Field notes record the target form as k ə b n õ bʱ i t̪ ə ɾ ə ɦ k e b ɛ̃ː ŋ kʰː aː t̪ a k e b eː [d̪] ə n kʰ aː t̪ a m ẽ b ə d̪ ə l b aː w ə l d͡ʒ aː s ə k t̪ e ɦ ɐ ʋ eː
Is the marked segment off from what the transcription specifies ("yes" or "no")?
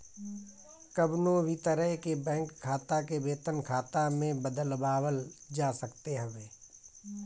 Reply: yes